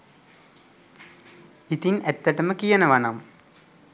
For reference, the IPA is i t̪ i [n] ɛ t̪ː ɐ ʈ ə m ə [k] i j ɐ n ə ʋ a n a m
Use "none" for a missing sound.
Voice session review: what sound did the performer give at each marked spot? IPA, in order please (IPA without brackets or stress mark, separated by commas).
n, k